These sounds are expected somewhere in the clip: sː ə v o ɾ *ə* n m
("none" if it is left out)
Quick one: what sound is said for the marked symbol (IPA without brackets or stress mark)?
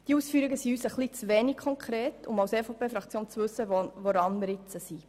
ɑ